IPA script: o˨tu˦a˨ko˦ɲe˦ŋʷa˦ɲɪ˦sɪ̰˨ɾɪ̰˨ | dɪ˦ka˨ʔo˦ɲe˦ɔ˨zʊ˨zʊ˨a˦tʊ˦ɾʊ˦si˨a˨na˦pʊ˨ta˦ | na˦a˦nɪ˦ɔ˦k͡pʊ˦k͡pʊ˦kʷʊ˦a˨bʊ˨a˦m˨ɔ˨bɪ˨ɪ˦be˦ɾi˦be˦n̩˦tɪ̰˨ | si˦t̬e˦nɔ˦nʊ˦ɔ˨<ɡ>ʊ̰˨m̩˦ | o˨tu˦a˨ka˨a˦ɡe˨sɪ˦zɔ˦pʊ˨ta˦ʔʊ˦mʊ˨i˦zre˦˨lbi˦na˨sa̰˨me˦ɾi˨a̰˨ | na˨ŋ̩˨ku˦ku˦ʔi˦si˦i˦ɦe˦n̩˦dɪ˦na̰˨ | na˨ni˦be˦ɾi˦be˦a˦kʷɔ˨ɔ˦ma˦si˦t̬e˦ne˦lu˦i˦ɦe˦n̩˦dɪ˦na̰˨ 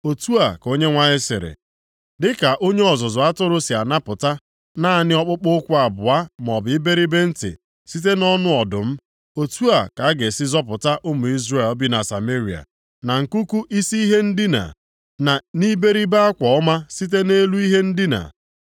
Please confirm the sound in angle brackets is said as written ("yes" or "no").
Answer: no